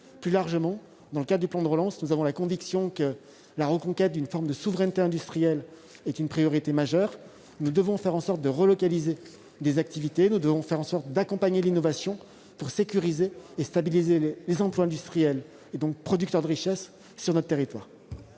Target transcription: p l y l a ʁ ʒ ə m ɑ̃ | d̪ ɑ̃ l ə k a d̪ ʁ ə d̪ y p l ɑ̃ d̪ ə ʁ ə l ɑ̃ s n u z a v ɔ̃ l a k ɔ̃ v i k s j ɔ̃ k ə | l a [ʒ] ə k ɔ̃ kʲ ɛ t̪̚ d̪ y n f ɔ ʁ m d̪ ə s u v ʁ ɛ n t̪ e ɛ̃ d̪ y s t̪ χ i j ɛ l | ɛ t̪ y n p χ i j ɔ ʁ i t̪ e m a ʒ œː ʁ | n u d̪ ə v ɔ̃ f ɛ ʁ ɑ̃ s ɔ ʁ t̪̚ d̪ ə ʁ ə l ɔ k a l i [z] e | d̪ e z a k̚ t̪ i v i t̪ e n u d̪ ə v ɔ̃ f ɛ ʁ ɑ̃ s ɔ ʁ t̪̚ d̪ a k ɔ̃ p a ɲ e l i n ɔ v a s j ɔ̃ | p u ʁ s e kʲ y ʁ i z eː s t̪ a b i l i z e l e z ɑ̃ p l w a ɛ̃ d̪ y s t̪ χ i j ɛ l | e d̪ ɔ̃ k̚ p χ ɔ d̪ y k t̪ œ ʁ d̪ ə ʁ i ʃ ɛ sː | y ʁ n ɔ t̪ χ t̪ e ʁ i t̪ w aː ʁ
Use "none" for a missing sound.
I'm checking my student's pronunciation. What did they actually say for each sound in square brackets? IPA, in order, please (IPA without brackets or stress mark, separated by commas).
ʁ, z